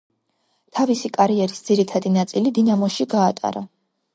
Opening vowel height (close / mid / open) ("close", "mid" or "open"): open